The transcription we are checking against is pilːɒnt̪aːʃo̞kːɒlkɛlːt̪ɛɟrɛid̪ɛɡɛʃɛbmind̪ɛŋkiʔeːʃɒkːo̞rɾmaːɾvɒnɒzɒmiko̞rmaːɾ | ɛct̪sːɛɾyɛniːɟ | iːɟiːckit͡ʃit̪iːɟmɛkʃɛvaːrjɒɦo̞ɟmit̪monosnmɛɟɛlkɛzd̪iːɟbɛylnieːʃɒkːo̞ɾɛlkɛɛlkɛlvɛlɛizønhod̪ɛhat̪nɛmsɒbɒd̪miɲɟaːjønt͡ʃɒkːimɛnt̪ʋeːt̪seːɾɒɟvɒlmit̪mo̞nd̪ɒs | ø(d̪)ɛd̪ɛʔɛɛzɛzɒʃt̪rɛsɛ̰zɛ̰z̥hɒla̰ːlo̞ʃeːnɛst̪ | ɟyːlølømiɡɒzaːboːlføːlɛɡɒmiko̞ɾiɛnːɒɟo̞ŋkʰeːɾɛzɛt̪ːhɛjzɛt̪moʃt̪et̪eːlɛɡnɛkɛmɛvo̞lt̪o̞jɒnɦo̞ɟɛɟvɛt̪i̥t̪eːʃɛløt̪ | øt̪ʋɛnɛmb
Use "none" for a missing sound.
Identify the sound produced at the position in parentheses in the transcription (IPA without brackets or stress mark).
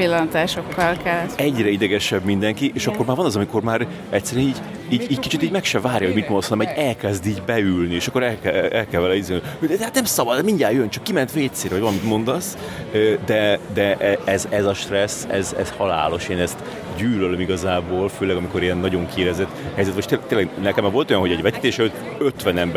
d̪